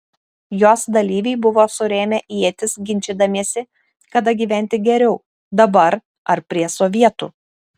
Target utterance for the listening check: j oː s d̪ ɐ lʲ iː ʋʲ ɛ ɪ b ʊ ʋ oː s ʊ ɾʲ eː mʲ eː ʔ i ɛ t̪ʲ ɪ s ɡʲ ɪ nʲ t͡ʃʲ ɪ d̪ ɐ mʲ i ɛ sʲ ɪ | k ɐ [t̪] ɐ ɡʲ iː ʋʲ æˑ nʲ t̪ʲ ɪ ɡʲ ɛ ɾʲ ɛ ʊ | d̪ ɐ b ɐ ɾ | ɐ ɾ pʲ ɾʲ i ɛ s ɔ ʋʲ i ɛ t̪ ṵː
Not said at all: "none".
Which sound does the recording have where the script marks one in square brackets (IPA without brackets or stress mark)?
d̪